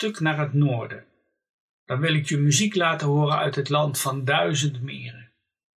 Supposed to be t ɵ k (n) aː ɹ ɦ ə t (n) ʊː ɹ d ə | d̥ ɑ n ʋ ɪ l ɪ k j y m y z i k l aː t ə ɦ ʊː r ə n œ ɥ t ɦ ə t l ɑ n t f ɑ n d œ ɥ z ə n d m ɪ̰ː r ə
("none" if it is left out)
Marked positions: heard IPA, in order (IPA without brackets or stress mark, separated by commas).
n, n